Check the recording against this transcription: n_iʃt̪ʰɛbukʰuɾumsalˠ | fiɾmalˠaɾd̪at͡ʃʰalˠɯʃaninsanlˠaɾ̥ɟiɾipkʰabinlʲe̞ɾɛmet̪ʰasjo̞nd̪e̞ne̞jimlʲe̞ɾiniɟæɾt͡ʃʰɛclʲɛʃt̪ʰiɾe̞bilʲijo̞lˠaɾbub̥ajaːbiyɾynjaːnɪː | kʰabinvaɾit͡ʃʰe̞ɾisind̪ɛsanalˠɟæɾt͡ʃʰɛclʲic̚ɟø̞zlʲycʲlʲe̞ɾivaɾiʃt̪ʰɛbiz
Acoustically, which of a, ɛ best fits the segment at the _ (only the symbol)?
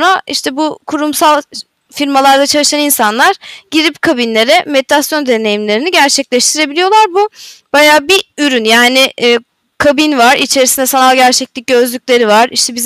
a